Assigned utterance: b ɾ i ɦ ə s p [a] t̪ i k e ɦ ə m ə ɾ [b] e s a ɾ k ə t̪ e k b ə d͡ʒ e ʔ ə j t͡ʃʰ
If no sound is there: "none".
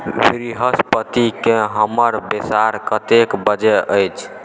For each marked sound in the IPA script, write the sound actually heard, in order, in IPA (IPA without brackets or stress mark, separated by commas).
ə, b